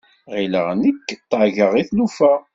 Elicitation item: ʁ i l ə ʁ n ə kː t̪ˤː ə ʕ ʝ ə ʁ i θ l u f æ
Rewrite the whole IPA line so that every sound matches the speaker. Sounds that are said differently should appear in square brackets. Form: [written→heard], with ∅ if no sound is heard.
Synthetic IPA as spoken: ʁ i l ə ʁ n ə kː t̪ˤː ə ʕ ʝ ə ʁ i θ l u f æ